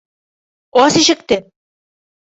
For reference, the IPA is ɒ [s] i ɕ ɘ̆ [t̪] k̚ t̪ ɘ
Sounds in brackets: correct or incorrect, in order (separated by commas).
correct, incorrect